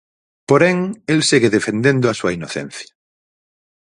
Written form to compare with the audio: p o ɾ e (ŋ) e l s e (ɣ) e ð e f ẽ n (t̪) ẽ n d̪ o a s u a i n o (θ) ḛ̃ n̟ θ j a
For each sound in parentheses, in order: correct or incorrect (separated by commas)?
correct, correct, incorrect, correct